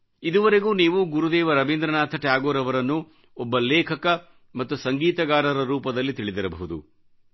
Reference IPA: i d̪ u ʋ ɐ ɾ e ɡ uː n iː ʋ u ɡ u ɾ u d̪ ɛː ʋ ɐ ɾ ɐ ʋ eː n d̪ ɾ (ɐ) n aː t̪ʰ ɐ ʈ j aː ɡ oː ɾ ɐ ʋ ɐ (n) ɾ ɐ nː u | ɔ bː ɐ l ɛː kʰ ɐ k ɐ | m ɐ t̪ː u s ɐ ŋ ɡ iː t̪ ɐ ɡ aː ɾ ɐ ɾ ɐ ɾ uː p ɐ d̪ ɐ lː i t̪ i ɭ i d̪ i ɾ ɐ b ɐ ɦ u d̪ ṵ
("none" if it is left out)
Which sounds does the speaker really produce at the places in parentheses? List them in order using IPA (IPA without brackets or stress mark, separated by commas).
ɐ, none